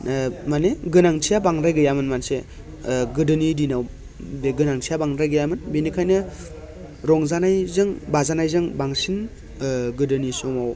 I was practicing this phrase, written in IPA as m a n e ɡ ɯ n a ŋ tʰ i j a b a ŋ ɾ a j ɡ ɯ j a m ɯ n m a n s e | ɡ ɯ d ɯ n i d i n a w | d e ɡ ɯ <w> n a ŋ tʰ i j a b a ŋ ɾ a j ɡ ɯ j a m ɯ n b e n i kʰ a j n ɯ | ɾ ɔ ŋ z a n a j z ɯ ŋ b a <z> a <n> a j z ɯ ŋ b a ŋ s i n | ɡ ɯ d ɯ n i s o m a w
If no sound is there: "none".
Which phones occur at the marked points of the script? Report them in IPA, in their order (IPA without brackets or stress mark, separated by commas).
none, z, n